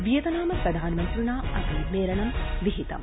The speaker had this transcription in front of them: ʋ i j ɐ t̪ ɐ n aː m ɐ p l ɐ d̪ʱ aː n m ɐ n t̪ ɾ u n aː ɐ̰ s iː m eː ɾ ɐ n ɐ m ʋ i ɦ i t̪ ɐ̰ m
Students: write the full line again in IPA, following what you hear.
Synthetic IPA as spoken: ʋ i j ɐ t̪ ɐ n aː m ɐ p ɾ ɐ d̪ʱ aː n m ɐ n t̪ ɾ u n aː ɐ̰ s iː m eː ɾ ɐ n ɐ m ʋ i ɦ i t̪ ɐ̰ m